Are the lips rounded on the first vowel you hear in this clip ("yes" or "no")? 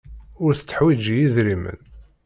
yes